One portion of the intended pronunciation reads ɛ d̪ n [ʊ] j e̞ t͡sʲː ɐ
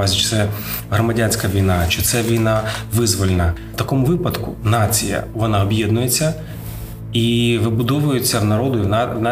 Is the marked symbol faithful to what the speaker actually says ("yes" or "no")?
yes